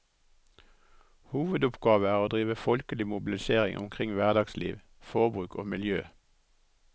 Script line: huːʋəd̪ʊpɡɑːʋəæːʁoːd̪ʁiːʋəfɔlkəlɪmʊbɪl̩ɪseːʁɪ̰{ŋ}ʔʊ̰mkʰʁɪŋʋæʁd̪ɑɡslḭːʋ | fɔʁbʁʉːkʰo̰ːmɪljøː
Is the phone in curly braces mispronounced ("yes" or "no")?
no